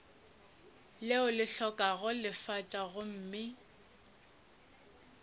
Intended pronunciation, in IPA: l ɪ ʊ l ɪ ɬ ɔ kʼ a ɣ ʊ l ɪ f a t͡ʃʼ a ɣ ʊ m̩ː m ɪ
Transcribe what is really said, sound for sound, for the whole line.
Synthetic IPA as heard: l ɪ ʊ l ɪ ɬ ɔ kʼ a ɣ ʊ l ɪ f a t͡ʃʼ a ɣ ʊ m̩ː m ɪ